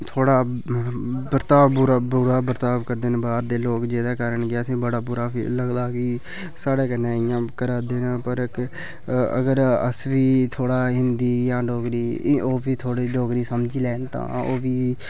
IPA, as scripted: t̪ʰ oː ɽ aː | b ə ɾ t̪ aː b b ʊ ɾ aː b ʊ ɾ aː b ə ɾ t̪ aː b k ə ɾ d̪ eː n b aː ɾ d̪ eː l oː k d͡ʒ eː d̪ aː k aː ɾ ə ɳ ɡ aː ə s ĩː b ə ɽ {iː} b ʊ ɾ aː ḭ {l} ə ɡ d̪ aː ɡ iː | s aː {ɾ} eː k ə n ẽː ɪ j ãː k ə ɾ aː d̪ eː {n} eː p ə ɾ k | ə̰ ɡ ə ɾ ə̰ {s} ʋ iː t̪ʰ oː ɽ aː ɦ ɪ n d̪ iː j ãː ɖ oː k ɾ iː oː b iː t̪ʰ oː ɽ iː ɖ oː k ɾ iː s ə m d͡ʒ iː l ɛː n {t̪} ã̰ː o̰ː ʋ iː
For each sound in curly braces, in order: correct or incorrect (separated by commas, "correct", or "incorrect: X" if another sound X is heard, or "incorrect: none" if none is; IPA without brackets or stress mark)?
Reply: incorrect: aː, correct, incorrect: ɽ, correct, correct, correct